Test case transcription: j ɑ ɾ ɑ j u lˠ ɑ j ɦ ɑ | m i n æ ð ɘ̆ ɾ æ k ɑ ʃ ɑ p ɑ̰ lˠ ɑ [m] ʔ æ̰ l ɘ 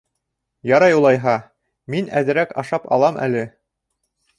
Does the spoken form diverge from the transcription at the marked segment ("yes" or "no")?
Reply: no